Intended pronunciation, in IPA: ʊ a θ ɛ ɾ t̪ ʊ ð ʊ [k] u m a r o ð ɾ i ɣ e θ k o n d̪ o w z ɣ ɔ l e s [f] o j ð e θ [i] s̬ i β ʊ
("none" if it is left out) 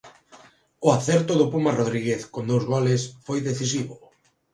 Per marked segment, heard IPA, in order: p, f, i

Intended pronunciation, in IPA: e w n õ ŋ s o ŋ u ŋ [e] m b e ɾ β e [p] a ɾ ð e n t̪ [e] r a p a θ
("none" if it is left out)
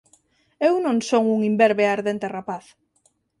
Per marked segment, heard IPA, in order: i, none, e

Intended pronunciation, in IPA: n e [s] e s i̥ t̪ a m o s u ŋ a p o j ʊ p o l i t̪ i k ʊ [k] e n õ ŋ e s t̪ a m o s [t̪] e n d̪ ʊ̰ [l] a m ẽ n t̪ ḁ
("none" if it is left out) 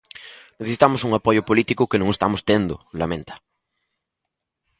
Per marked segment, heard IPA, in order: θ, k, t̪, l

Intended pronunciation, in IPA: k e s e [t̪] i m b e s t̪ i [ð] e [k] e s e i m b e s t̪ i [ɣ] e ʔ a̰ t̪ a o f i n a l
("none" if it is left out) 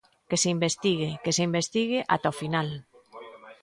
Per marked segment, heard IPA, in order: none, ɣ, k, ɣ

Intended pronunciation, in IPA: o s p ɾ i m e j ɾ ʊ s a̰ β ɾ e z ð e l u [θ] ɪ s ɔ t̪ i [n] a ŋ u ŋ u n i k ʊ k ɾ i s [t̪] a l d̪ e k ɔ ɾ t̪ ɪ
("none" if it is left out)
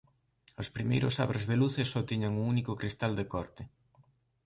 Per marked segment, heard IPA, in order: θ, ɲ, t̪

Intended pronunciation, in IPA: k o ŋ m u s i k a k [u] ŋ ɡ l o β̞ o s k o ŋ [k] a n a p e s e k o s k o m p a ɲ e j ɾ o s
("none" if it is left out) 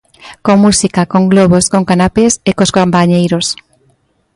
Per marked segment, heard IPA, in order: o, k

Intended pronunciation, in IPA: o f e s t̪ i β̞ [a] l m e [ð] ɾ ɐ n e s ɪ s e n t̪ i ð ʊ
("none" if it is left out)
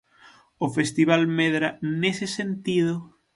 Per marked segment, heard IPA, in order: a, ð

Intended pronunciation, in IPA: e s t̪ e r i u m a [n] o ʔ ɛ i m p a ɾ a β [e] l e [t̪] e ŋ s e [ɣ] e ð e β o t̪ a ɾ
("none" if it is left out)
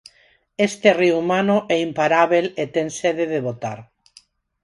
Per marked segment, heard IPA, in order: n, e, t̪, ð

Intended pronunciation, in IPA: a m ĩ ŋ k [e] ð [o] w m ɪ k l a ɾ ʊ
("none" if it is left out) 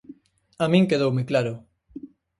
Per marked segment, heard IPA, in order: e, o

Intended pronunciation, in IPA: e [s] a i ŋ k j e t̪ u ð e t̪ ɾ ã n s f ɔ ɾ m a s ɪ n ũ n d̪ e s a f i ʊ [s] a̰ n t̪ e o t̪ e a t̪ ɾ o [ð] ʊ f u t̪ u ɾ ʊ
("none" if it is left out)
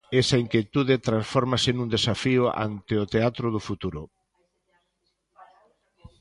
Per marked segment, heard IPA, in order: s, none, ð

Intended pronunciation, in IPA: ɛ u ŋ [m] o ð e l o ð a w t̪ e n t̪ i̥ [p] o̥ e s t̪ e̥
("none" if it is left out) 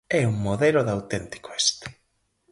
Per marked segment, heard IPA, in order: m, k

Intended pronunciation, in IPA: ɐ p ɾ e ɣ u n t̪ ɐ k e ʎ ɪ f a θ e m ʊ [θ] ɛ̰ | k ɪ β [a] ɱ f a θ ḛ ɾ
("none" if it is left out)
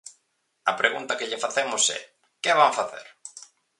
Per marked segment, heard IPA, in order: s, a

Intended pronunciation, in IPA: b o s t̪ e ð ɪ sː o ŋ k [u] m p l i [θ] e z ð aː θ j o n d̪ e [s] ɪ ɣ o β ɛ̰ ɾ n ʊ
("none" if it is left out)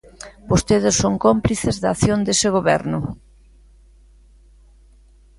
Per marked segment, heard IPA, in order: o, θ, s

